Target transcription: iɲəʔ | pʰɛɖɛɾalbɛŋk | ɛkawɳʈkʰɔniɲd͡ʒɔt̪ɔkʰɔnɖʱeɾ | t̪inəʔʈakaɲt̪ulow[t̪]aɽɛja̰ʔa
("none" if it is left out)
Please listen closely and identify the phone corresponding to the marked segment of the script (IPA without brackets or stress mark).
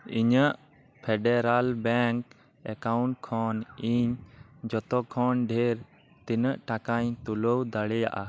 d̪